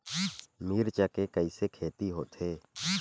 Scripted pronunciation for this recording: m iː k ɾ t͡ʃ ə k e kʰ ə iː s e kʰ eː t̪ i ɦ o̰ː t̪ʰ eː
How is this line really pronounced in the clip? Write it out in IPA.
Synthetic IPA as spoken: m iː ɾ t͡ʃ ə k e k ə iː s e kʰ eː t̪ i ɦ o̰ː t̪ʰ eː